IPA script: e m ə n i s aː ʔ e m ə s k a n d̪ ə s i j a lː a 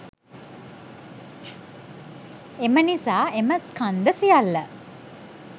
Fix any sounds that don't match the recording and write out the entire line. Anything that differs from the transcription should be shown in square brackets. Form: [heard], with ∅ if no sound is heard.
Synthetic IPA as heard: e m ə n i s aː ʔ e m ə s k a n d̪ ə s i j a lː [ə]